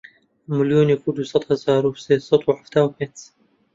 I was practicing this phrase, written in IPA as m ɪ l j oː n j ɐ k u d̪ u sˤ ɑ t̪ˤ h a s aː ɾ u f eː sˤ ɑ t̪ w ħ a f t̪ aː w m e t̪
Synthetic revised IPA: m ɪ l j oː n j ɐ k u d̪ u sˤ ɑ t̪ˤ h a z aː ɾ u s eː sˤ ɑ t̪ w ħ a f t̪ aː w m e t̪